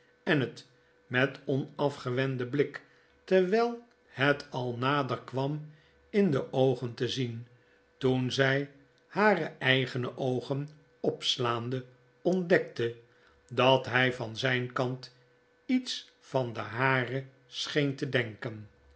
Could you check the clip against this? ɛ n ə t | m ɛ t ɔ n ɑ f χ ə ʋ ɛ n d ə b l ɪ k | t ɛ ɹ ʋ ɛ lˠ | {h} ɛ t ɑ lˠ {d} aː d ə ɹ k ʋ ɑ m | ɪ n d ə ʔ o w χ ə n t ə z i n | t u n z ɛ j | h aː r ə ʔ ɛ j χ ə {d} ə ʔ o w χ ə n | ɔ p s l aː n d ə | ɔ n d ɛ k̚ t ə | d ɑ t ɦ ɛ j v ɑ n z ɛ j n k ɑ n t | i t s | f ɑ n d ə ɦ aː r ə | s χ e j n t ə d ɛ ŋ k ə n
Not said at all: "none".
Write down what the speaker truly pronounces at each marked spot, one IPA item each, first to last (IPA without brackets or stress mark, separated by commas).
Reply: h, n, n